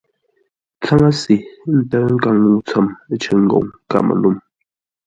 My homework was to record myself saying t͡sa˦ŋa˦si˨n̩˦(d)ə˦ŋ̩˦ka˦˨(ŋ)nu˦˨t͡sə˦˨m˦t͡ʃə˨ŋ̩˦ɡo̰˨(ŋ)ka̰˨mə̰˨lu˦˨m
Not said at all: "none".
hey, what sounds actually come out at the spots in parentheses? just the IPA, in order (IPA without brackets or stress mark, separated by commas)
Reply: t, ŋ, ŋ